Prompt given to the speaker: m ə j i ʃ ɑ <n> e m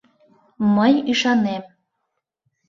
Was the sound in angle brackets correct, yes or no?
yes